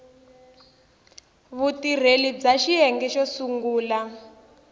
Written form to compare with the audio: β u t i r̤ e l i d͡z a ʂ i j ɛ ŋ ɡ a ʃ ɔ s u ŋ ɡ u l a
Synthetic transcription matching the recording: β u t i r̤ e l i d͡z a ʃ i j ɛ ŋ ɡ ɛ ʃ ɔ s u ŋ ɡ uː l a